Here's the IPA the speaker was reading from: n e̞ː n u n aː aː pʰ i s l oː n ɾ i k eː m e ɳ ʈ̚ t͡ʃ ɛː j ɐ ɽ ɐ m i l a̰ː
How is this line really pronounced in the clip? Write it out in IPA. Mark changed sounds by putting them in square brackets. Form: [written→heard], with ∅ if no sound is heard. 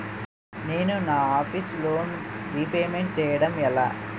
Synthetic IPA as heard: n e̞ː n u n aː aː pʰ i s l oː n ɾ i [k→p] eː m e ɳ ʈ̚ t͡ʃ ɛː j ɐ ɽ ɐ m [i→ɛ] l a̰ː